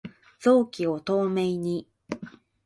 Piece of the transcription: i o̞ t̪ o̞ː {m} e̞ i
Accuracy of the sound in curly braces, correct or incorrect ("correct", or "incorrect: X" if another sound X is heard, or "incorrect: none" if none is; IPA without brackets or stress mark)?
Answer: correct